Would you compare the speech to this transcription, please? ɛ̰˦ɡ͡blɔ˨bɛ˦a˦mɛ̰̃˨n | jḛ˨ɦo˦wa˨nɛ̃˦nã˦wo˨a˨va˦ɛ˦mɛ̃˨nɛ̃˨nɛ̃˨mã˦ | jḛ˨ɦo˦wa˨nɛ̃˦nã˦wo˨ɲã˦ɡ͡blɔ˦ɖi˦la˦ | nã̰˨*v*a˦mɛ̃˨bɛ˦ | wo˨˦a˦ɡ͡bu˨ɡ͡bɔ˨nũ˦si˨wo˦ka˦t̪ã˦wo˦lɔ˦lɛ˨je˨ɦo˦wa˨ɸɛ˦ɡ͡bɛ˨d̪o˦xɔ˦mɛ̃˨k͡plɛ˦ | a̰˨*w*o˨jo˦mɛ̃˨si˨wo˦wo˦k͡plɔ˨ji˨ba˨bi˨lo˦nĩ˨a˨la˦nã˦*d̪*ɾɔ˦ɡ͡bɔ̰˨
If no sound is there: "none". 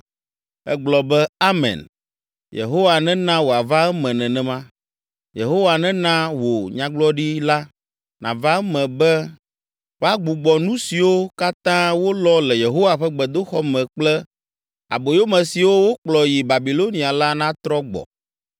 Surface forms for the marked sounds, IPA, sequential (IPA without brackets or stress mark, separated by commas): v, b, t̪